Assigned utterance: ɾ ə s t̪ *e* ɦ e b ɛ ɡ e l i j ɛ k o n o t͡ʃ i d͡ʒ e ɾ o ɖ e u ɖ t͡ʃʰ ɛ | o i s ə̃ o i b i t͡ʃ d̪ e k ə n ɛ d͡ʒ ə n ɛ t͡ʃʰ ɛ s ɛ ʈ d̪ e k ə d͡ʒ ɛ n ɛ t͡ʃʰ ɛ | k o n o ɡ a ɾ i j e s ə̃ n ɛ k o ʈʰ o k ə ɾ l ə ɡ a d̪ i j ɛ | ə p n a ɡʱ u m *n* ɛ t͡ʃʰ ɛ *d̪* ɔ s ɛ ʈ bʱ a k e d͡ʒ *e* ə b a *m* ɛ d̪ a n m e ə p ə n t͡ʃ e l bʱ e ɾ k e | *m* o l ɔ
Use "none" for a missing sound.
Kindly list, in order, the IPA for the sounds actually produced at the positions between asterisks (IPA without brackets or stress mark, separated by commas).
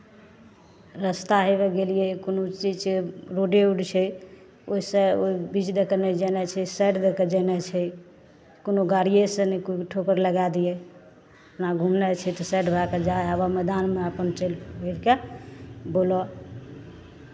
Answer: a, n, t̪, a, m, b